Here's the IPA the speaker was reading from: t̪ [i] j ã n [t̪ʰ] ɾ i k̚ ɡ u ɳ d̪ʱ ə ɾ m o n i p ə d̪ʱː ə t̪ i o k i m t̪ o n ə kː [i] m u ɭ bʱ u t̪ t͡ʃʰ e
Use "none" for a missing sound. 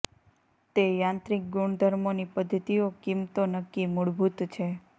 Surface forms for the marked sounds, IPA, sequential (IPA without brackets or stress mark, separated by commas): e, t̪, i